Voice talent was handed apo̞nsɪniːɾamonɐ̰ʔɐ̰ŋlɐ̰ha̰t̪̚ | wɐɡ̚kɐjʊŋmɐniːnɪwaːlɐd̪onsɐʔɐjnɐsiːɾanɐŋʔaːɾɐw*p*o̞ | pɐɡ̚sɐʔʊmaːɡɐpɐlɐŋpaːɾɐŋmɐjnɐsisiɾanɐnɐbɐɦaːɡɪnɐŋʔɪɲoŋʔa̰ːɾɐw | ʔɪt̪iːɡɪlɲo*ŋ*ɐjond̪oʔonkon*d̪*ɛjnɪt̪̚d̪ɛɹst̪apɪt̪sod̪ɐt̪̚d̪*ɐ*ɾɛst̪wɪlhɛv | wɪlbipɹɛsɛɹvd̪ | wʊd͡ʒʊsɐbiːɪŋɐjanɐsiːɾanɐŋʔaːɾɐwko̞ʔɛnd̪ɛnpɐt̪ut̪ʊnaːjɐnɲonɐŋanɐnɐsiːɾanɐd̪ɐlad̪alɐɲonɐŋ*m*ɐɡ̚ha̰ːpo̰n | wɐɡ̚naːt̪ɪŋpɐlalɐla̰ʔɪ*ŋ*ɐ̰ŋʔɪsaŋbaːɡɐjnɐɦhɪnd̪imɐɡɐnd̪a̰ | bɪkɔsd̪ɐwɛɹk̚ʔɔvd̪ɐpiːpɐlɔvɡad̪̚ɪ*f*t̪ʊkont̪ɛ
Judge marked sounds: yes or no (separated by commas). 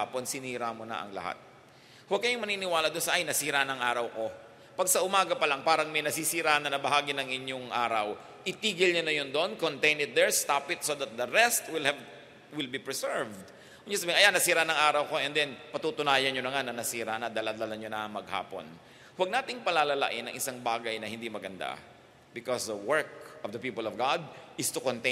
no, no, no, yes, yes, no, no